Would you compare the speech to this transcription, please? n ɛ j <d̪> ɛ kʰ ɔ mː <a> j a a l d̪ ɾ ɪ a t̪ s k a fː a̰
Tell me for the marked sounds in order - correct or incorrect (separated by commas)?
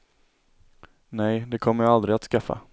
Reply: correct, incorrect